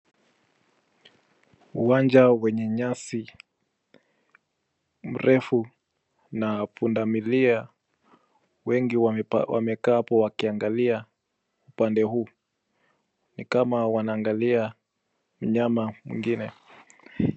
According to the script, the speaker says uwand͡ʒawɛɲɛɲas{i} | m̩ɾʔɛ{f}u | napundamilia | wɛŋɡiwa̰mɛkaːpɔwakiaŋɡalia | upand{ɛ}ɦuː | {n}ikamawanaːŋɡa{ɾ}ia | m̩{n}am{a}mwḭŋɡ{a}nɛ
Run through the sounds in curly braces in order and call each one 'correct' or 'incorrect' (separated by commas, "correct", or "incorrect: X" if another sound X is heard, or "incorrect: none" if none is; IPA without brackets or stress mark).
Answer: correct, correct, correct, correct, incorrect: l, incorrect: ɲ, correct, incorrect: i